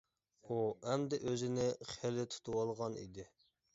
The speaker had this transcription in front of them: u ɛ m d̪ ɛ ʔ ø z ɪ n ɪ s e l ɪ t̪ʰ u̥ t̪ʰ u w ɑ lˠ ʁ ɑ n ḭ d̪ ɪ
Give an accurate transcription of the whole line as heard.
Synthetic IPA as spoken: u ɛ m d̪ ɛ ʔ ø z ɪ n ɪ χ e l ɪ t̪ʰ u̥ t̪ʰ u w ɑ lˠ ʁ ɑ n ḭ d̪ ɪ